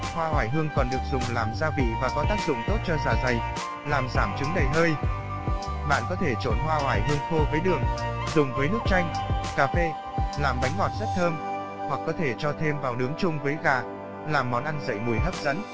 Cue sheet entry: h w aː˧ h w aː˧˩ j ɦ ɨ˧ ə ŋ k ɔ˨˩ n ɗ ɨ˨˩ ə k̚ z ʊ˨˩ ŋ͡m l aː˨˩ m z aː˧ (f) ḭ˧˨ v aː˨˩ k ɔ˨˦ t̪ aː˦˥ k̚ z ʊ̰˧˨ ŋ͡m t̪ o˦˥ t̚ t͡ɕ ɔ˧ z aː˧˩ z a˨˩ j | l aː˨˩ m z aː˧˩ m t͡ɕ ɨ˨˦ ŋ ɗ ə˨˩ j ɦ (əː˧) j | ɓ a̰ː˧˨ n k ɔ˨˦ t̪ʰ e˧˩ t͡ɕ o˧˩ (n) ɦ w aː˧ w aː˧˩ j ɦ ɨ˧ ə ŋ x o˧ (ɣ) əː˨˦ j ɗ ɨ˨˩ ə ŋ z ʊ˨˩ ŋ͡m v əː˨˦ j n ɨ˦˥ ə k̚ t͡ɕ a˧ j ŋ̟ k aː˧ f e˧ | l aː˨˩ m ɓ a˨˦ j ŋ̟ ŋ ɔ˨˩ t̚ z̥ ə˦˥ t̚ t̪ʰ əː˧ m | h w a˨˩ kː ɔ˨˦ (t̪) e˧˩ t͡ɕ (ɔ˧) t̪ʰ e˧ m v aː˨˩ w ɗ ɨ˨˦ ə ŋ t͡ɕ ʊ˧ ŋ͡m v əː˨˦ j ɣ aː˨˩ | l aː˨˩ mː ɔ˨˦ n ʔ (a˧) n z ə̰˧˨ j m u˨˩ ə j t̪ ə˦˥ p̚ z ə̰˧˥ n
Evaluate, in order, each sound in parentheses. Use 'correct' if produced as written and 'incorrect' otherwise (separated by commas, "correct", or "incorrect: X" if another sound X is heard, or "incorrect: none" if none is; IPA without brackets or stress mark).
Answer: incorrect: v, correct, correct, incorrect: v, incorrect: t̪ʰ, correct, correct